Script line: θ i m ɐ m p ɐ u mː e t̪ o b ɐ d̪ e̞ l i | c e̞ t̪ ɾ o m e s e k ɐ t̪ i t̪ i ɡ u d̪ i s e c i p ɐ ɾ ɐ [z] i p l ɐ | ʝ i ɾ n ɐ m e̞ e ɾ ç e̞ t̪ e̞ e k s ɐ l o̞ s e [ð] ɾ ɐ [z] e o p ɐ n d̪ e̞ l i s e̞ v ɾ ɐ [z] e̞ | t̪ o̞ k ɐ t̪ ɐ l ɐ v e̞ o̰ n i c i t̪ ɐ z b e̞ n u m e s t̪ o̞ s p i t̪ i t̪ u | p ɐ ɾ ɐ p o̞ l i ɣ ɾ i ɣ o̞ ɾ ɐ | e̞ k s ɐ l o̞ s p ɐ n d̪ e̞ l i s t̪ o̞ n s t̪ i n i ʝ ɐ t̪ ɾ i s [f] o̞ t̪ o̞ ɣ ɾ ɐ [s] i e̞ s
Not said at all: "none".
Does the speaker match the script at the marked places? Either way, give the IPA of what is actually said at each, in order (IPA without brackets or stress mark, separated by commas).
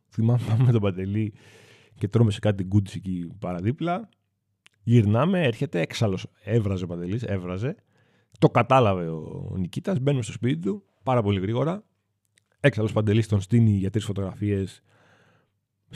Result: ð, v, z, z, f, f